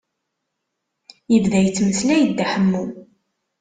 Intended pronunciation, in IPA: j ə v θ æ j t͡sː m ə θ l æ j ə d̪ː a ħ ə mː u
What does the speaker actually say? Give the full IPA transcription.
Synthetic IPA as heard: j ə v ð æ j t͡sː m ə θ l æ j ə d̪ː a ħ ə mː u